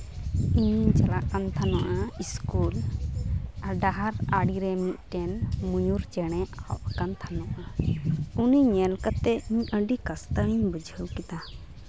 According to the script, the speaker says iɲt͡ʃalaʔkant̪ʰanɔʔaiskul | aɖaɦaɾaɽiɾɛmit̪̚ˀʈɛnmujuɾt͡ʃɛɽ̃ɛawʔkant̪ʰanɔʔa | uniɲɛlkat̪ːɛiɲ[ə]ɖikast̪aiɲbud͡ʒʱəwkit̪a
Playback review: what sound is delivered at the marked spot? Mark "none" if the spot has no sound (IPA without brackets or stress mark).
ə